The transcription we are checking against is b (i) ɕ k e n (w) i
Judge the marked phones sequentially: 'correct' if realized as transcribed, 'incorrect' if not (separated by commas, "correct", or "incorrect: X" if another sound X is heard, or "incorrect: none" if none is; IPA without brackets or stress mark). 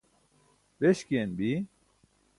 incorrect: e, incorrect: b